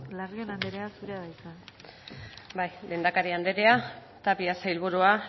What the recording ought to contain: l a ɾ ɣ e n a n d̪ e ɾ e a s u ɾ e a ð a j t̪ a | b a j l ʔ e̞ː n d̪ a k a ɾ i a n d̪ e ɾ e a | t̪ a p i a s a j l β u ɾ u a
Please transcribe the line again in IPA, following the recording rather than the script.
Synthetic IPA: l a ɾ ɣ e n a n d̪ e ɾ e a s u ɾ e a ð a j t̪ a | b a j l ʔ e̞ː n d̪ a k a ɾ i a n d̪ e ɾ e a | t̪ a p i a s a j l β u ɾ u a